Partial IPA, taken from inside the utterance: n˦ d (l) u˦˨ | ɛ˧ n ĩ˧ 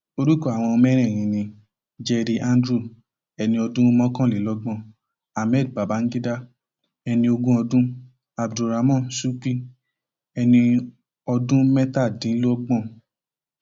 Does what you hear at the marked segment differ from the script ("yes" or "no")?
yes